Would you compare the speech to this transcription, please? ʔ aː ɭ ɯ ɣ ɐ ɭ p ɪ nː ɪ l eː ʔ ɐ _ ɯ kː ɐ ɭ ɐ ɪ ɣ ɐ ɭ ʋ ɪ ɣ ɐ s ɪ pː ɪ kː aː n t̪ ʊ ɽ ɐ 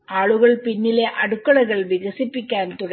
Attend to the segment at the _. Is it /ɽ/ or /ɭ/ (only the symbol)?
ɽ